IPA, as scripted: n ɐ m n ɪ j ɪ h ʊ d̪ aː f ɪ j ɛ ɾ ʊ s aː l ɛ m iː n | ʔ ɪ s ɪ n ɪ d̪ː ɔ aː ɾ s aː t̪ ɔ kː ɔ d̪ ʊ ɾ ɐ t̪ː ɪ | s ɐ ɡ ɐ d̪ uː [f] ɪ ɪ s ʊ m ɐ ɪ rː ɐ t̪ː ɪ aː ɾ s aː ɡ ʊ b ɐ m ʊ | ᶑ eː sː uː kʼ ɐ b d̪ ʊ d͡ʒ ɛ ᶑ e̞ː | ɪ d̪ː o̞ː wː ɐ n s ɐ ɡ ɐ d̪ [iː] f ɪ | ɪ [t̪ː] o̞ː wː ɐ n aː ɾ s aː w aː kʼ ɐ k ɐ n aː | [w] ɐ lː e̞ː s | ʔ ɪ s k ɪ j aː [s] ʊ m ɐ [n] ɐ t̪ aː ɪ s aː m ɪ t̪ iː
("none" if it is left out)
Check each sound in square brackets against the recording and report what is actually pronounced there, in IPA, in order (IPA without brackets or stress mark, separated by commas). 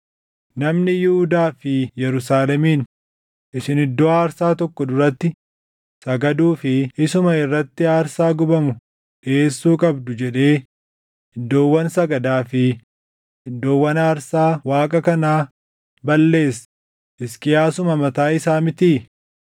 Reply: f, aː, d̪ː, b, s, m